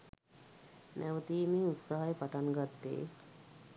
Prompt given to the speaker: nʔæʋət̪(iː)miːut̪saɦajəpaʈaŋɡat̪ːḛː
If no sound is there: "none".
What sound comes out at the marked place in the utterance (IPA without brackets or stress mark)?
iː